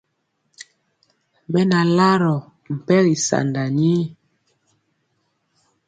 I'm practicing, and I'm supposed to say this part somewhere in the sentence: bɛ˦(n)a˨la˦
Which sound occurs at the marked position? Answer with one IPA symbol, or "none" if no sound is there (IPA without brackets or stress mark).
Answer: n